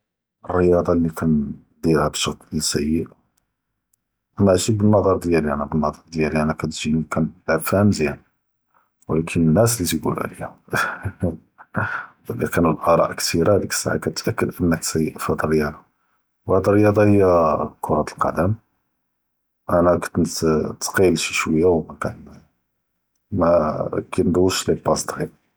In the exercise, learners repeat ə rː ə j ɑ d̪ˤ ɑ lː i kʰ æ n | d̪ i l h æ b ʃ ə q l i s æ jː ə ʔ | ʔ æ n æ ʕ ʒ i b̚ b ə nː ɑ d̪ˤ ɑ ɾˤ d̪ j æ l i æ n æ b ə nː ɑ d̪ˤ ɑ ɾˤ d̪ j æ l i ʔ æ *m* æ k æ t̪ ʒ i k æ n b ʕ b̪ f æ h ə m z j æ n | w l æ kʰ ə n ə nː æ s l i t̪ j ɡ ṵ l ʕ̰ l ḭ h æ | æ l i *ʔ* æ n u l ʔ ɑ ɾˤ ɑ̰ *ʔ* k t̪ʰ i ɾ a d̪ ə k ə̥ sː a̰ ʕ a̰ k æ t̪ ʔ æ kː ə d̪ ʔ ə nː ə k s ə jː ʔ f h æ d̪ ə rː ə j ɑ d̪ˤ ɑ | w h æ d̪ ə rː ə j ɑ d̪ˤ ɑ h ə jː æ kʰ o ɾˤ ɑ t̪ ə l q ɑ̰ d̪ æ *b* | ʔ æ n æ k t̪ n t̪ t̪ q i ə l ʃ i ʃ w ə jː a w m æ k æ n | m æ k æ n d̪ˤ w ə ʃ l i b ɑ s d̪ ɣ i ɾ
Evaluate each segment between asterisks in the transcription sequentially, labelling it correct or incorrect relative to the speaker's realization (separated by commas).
incorrect, incorrect, correct, incorrect